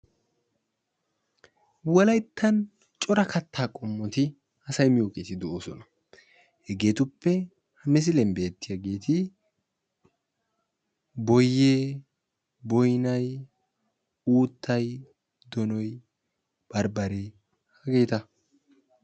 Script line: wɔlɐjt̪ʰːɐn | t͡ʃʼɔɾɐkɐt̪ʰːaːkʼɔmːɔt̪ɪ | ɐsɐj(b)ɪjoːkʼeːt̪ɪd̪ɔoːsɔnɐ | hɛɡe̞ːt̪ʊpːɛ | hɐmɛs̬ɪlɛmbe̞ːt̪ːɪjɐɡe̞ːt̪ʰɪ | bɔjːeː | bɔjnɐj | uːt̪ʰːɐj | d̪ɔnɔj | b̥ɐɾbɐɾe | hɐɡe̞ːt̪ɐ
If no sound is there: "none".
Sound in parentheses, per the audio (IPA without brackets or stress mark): m